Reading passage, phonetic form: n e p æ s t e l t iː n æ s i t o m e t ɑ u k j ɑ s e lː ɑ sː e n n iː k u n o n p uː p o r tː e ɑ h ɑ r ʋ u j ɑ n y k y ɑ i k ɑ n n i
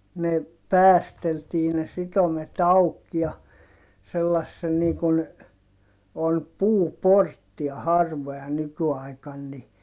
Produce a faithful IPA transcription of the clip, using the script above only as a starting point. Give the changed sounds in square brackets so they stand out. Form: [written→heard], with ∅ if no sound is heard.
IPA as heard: n e p [æ→æː] s t e l t iː n [æ→e] s i t o m e t ɑ u k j ɑ s e lː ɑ sː e n n iː k u n o n p uː p o r tː [e→i] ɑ h ɑ r ʋ [u→o] j ɑ n y k y ɑ i k ɑ n n i